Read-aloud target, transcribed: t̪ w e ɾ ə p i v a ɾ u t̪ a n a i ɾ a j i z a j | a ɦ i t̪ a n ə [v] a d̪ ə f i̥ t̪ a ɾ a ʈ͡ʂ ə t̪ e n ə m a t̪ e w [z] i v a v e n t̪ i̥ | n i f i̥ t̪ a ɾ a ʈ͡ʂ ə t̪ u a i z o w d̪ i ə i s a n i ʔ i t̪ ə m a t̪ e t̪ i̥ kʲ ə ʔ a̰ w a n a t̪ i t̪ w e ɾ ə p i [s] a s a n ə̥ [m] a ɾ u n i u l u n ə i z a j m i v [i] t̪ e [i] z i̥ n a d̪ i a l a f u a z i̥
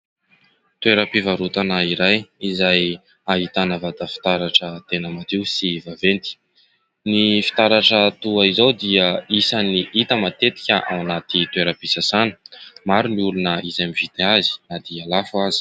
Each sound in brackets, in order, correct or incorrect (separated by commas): correct, incorrect, correct, correct, correct, incorrect